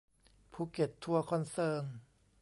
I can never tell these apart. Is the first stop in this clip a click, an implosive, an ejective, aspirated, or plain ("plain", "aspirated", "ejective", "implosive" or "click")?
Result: aspirated